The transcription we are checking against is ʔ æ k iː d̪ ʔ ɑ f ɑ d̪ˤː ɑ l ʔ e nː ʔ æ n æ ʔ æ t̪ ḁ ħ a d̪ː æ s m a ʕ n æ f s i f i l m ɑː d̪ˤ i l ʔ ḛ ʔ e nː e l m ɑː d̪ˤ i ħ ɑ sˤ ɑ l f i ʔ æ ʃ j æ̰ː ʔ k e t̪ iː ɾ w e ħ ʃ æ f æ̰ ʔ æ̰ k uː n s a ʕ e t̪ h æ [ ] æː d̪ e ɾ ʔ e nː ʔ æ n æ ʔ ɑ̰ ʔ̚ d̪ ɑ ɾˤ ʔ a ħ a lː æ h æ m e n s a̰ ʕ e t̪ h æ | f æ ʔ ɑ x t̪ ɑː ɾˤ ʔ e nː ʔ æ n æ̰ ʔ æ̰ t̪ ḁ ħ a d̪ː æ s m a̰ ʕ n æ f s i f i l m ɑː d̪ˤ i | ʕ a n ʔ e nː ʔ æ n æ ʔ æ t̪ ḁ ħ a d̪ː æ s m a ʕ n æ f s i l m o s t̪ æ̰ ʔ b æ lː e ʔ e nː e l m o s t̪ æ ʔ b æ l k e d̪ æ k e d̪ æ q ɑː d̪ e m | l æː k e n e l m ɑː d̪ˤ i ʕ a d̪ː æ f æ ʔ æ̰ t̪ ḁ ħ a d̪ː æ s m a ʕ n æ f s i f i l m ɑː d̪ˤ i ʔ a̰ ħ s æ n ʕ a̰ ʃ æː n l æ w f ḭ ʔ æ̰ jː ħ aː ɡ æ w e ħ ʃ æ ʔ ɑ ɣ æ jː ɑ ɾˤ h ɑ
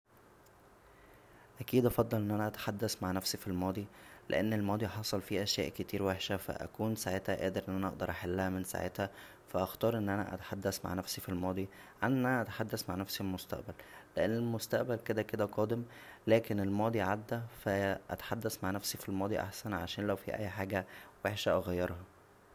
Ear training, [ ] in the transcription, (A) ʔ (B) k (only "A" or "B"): A